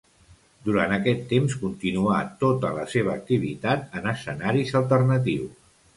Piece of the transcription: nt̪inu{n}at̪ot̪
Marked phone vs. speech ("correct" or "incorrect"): incorrect